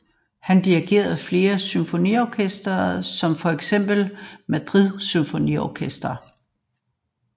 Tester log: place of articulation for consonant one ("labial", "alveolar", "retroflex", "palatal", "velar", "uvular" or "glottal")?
glottal